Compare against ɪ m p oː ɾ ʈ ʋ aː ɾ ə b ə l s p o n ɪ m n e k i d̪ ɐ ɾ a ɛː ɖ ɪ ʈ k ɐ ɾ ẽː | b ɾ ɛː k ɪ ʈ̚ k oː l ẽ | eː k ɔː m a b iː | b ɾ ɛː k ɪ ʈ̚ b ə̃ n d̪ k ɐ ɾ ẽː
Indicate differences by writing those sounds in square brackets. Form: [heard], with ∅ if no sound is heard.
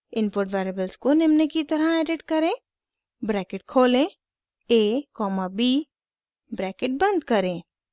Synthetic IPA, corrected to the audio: ɪ [n] p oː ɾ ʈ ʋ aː ɾ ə b ə l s [k] o n ɪ m n e k i [t̪] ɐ ɾ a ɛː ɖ ɪ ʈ k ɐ ɾ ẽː | b ɾ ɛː k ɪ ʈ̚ [kʰ] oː l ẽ | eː k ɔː m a b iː | b ɾ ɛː k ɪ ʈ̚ b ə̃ n d̪ k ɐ ɾ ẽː